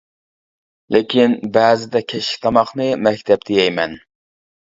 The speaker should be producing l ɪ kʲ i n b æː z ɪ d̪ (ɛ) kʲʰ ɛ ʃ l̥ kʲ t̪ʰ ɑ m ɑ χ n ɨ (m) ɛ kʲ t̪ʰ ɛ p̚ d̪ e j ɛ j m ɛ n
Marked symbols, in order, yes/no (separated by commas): yes, yes